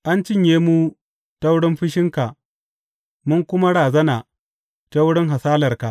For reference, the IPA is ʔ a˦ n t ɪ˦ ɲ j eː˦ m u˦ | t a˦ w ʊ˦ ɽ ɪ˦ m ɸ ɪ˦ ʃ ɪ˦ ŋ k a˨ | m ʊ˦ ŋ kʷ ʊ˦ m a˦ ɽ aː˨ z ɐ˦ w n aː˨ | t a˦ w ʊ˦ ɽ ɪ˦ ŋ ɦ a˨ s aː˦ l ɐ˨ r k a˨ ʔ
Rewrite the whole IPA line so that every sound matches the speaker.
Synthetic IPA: ʔ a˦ n t͡ʃ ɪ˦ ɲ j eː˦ m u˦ | t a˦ w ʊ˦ ɽ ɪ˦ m ɸ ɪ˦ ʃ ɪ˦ ŋ k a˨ | m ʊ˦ ŋ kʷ ʊ˦ m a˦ ɽ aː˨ z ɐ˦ n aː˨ | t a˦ w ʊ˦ ɽ ɪ˦ ŋ ɦ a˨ s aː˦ l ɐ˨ r k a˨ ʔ